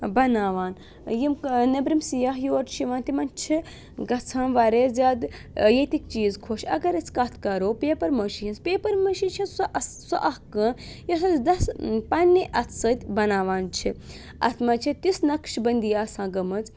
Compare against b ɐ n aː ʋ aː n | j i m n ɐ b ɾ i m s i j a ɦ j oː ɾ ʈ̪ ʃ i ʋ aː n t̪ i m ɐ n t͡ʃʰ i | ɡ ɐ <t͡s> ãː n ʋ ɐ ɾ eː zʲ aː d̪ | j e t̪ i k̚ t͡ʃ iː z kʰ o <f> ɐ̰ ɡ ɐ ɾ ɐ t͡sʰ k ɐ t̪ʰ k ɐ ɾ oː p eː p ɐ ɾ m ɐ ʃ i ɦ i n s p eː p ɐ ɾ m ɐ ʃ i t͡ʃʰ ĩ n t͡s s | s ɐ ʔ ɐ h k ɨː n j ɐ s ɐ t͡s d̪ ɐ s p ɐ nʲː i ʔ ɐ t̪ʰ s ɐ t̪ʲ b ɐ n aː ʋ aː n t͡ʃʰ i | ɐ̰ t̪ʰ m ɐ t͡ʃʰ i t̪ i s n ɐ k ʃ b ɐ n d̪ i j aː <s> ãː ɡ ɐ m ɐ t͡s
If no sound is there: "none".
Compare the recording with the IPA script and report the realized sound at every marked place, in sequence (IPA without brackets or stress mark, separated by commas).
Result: t͡sʰ, ʃ, s